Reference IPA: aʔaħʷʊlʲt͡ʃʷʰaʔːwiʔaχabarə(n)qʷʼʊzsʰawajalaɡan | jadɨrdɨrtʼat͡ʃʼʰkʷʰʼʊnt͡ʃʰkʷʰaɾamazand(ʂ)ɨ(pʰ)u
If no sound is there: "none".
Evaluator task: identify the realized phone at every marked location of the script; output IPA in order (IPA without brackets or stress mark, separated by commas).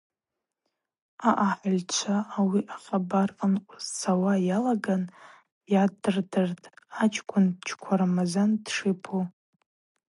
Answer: n, ʂ, pʰ